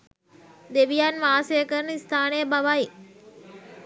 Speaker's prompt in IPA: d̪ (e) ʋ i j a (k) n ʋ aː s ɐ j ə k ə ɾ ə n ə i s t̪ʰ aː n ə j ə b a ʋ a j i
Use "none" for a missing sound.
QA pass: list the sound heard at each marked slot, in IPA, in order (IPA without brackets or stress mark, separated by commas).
e, none